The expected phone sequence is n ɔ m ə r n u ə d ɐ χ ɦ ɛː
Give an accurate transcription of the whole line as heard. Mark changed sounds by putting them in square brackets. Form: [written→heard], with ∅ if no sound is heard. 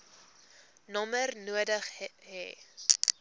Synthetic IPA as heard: n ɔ m ə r n u ə d [ɐ→ə] χ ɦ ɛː